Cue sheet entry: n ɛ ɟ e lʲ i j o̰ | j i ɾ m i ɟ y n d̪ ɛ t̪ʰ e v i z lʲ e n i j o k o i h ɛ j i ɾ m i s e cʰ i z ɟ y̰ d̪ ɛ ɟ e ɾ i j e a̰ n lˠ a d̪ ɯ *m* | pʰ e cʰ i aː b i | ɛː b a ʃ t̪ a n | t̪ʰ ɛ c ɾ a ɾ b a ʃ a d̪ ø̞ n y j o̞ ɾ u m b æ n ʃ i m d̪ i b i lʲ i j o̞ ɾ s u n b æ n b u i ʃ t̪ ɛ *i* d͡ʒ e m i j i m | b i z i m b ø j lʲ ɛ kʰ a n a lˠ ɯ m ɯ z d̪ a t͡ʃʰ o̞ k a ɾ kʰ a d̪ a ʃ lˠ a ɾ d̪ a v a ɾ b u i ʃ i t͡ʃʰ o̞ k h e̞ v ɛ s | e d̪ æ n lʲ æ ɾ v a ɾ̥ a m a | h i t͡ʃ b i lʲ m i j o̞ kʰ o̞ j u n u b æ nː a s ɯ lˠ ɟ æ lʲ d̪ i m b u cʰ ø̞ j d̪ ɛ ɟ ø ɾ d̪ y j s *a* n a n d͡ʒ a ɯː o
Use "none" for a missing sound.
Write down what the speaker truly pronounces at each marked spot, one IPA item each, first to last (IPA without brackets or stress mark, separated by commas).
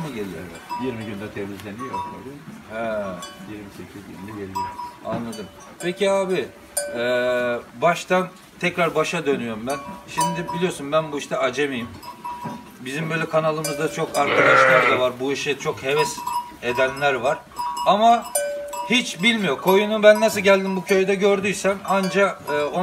m, a, æ